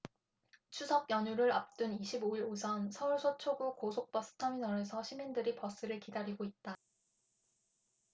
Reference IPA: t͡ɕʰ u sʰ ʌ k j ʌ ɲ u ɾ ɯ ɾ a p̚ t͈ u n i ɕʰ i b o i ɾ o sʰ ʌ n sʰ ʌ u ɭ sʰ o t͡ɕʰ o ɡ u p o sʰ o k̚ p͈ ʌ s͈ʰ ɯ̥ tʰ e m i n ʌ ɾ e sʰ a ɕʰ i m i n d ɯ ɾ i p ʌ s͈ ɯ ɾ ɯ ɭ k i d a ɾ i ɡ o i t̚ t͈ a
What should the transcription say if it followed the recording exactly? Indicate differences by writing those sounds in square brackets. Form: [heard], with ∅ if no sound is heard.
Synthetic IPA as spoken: t͡ɕʰ u sʰ ʌ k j ʌ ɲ u ɾ ɯ ɾ a p̚ t͈ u n i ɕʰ i b o i ɾ o sʰ ʌ n sʰ ʌ u ɭ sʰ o t͡ɕʰ o ɡ u [k] o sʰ o k̚ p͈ ʌ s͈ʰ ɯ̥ tʰ [a] m i n ʌ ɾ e sʰ [ʌ] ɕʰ i m i n d ɯ ɾ i p ʌ s͈ ɯ ɾ ɯ ɭ k i d a ɾ i ɡ o i t̚ t͈ a